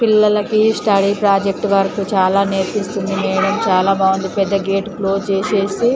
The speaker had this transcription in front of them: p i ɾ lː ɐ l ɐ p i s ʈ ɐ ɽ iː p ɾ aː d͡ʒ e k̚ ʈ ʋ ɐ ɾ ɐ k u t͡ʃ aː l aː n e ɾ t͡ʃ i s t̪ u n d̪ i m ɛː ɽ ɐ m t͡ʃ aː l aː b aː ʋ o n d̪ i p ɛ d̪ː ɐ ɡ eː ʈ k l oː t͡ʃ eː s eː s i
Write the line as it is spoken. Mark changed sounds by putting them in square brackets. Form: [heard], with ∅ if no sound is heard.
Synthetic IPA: p i [∅] lː ɐ l ɐ [k] i s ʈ ɐ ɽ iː p ɾ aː d͡ʒ e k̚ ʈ ʋ ɐ ɾ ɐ k u t͡ʃ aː l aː n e ɾ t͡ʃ i s t̪ u n d̪ i m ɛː ɽ ɐ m t͡ʃ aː l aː b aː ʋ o n d̪ i p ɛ d̪ː ɐ ɡ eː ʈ k l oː t͡ʃ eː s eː s i

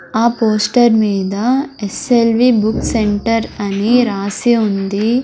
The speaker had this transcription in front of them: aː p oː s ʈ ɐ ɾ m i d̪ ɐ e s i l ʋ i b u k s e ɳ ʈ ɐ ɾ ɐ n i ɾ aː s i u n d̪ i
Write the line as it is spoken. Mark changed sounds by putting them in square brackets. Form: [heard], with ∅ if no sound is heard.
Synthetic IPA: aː p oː s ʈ ɐ ɾ m [iː] d̪ ɐ e s [e] l ʋ i b u k s e ɳ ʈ ɐ ɾ ɐ n i ɾ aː s i u n d̪ i

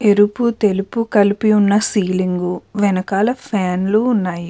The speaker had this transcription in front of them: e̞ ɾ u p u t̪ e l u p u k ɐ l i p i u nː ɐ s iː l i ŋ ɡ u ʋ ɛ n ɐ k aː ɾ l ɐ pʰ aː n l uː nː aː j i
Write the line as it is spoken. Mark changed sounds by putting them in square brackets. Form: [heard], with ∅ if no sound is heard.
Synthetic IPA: e̞ ɾ u p u t̪ e l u p u k ɐ l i p i u nː ɐ s iː l i ŋ ɡ u ʋ ɛ n ɐ k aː [∅] l ɐ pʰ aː n l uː nː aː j i

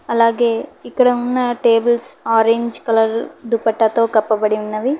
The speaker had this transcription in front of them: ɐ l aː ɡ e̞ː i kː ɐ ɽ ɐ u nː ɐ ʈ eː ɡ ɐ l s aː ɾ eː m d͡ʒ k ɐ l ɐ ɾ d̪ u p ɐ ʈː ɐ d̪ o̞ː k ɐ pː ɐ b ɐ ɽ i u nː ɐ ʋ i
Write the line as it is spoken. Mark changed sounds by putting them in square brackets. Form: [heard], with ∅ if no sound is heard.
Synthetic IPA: ɐ l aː ɡ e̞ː i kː ɐ ɽ ɐ u nː ɐ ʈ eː [b] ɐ l s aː ɾ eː [ɲ] d͡ʒ k ɐ l ɐ ɾ d̪ u p ɐ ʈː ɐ [t̪] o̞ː k ɐ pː ɐ b ɐ ɽ i u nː ɐ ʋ i

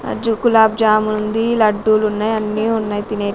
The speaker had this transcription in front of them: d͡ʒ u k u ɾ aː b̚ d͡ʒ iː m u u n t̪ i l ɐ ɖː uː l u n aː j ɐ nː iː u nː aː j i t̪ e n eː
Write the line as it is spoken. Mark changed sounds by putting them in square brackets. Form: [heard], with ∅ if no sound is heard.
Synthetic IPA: d͡ʒ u k u [l] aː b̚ d͡ʒ [aː] m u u n [d̪] i l ɐ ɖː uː l u [nː] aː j ɐ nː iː u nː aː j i t̪ [i] n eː

